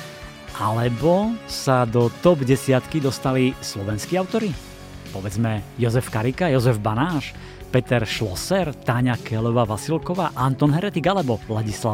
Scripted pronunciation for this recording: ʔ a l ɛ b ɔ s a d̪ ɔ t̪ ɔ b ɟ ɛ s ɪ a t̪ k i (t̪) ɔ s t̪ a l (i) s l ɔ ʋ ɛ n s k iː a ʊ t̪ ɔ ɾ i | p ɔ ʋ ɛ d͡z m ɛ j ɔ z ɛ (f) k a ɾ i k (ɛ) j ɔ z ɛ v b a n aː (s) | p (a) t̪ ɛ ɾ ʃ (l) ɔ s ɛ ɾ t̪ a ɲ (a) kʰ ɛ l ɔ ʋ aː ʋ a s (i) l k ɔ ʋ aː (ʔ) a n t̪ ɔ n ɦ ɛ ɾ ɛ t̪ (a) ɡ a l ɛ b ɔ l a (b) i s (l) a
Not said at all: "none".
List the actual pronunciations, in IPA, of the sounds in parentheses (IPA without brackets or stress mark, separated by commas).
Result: d̪, i, f, a, ʃ, ɛ, l, a, i, ʔ, i, ɟ, l